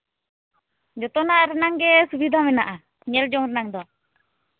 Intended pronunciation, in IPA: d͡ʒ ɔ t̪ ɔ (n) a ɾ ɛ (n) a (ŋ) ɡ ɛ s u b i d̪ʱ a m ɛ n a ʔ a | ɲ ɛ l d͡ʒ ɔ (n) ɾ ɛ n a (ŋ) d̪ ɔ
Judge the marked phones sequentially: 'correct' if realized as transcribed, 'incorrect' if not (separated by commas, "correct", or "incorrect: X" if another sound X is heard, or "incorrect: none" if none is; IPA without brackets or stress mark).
correct, correct, correct, incorrect: ŋ, correct